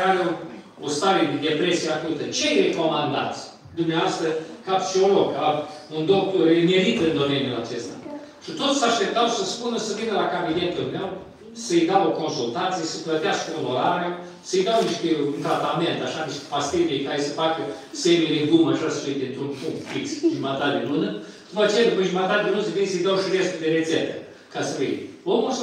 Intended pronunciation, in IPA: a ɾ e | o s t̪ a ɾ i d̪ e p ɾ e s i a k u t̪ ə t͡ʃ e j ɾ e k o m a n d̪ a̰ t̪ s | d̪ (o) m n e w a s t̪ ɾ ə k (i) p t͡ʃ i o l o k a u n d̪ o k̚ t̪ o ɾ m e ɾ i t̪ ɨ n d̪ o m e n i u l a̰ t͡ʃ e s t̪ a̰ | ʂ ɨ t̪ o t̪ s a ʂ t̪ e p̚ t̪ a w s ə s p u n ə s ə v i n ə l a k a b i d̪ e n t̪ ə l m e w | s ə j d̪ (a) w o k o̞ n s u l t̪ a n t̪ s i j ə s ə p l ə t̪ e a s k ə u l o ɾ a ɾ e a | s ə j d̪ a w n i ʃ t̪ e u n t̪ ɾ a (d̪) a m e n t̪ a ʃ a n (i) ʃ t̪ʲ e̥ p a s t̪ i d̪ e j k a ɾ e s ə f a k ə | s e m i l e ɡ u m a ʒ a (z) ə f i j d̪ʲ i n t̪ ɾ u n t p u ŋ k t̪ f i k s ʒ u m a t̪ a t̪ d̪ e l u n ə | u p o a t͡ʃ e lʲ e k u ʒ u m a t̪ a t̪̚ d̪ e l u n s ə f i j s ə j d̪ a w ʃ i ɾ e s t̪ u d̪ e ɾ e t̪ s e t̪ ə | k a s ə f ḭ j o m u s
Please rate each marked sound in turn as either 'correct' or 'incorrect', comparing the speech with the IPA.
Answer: incorrect, incorrect, correct, incorrect, correct, incorrect

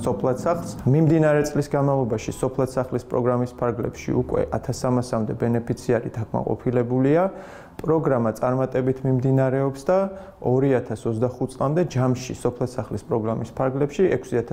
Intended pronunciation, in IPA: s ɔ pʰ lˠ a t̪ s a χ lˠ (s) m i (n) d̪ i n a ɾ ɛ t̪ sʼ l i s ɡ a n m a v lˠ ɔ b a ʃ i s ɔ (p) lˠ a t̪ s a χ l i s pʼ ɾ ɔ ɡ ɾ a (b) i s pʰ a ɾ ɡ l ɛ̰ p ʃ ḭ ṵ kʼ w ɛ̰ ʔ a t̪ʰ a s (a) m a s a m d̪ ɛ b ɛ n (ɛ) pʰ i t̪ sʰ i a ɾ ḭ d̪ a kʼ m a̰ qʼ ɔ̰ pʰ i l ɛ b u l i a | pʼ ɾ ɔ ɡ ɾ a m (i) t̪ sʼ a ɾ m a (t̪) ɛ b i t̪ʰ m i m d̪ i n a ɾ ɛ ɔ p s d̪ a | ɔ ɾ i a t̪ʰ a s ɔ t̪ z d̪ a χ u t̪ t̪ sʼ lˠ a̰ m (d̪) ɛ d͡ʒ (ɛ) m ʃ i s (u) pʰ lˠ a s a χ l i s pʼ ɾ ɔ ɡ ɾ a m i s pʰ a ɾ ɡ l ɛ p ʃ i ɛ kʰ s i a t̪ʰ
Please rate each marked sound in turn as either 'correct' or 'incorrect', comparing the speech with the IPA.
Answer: correct, incorrect, incorrect, incorrect, correct, correct, incorrect, incorrect, correct, incorrect, incorrect

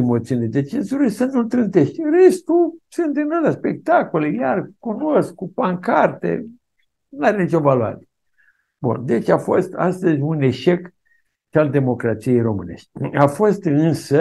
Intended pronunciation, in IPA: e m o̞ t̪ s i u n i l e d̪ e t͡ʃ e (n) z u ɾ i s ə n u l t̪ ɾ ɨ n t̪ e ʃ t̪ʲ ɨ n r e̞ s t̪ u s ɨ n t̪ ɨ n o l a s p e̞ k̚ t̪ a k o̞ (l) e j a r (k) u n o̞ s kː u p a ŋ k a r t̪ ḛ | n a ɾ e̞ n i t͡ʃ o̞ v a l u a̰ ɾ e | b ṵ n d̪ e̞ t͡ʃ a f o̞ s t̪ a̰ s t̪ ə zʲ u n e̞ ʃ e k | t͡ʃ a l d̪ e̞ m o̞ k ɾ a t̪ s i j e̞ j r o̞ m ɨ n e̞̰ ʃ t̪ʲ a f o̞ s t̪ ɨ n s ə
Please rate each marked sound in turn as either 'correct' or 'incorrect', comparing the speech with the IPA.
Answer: correct, correct, correct

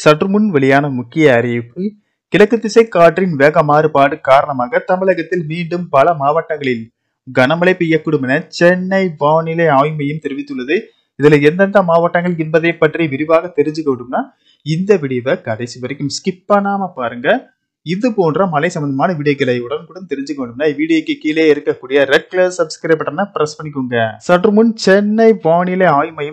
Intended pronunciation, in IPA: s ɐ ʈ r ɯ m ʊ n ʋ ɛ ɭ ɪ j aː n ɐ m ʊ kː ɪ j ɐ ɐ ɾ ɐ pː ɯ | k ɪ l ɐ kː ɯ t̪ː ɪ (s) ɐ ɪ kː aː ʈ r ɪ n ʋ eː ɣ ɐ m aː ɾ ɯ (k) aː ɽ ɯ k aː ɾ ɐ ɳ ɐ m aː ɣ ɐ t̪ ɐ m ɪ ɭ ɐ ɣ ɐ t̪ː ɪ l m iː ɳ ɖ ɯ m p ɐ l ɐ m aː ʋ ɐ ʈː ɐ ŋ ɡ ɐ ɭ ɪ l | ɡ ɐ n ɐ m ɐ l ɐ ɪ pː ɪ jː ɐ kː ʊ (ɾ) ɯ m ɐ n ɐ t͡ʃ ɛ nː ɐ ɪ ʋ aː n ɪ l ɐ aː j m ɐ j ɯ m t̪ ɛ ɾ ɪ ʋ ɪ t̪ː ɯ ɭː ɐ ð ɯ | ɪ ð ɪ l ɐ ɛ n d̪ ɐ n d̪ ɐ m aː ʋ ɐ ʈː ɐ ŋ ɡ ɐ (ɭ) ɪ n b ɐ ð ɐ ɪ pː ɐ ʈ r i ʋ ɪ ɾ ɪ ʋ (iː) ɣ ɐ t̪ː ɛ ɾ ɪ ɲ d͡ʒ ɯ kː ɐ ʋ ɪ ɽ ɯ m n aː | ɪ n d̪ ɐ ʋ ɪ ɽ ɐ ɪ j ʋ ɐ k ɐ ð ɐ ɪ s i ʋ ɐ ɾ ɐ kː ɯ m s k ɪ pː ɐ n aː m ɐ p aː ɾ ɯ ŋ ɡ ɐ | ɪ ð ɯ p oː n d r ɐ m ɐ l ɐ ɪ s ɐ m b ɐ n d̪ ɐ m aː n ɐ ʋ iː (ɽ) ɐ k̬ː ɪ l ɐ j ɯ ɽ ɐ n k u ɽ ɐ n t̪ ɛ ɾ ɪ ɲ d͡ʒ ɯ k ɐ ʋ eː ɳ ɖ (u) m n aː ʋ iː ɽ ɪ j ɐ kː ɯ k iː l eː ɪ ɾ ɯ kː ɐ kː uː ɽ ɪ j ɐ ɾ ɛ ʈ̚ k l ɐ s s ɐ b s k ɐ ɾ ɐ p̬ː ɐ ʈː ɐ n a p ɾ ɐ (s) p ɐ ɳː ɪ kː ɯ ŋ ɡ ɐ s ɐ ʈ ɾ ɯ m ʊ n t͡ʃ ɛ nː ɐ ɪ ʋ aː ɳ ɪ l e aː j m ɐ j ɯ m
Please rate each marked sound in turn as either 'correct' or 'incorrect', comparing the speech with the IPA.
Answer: correct, incorrect, incorrect, correct, incorrect, correct, incorrect, correct

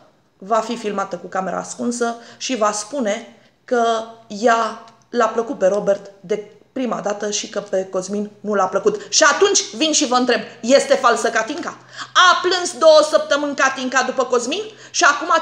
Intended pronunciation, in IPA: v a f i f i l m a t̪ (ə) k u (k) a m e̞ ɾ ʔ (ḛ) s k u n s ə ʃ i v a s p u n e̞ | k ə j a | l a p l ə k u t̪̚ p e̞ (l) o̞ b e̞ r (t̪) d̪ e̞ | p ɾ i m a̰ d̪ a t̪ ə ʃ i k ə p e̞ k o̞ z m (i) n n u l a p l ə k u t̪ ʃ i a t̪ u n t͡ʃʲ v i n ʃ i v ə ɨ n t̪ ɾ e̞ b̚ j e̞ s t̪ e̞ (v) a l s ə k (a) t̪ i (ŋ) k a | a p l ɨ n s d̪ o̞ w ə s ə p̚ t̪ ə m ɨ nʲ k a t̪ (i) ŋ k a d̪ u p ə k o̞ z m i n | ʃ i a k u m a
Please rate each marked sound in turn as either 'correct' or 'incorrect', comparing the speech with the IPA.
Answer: correct, correct, incorrect, incorrect, correct, correct, incorrect, correct, correct, correct

